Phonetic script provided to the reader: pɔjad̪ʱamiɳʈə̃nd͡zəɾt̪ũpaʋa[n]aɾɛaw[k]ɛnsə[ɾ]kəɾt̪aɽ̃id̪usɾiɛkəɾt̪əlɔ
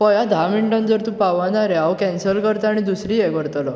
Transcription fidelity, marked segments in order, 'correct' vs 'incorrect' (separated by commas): correct, correct, incorrect